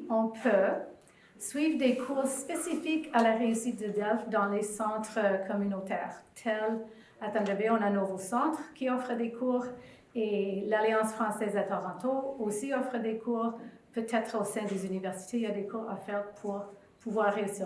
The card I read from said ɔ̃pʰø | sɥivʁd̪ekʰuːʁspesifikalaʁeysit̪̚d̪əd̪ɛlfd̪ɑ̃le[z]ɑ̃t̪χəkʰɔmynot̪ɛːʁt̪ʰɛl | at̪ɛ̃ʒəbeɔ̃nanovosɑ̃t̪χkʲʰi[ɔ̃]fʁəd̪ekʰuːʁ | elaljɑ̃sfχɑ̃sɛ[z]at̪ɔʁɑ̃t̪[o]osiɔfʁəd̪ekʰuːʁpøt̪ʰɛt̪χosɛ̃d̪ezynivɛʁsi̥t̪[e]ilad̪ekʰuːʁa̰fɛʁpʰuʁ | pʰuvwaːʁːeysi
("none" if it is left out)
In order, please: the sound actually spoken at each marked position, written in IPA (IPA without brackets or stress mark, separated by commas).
s, ɔ, z, o, e